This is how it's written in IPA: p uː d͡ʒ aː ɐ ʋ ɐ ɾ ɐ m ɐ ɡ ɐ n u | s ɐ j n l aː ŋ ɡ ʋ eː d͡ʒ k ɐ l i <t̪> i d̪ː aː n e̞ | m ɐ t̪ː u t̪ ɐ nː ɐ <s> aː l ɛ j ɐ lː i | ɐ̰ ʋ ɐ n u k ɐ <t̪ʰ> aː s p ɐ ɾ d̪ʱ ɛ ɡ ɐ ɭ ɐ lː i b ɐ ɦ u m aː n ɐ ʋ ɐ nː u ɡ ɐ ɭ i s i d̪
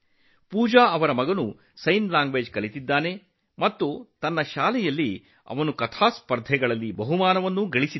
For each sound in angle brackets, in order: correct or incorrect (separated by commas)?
correct, incorrect, correct